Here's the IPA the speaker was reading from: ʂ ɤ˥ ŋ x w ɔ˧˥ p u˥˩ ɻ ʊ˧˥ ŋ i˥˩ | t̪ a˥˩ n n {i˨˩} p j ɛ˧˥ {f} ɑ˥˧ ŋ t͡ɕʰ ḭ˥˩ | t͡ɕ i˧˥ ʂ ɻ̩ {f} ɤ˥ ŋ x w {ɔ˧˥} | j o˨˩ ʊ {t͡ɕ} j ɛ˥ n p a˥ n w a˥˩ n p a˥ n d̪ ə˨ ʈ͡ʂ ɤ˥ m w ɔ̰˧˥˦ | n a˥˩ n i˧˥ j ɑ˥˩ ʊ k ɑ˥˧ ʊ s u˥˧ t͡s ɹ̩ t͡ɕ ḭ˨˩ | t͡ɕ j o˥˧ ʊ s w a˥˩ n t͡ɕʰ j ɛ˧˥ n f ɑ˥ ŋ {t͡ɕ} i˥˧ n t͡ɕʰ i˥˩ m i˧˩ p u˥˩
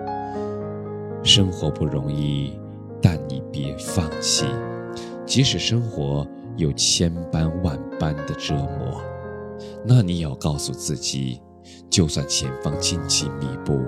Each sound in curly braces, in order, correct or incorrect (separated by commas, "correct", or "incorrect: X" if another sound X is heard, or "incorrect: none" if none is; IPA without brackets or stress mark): correct, correct, incorrect: ʂ, correct, incorrect: t͡ɕʰ, correct